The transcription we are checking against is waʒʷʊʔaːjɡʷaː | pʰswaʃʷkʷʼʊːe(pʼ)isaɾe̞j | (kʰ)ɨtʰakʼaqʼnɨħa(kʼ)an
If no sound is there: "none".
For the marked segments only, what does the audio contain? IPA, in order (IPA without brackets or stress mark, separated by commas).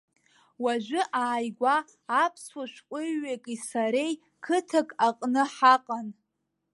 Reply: kʼ, kʰ, qʼ